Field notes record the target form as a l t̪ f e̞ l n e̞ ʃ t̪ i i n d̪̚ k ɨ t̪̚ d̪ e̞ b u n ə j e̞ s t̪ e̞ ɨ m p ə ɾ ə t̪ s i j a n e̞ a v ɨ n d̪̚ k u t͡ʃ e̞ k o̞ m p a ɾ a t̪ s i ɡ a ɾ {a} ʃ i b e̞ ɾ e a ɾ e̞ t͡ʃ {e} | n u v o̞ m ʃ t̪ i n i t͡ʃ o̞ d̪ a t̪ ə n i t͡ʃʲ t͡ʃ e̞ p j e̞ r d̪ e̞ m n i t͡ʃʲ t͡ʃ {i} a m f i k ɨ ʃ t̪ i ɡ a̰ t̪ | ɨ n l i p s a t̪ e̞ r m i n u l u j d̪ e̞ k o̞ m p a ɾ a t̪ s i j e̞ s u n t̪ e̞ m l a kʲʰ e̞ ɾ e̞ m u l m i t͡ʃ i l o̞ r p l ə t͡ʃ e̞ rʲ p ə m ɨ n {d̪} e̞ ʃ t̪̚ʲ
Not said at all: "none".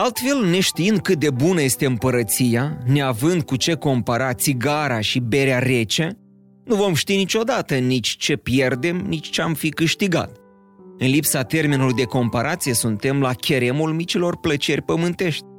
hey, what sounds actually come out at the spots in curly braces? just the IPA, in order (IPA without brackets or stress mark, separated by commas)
a, e, e, t̪